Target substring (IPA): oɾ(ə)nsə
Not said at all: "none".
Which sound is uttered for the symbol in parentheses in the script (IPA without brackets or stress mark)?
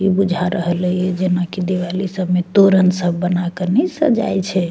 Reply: ə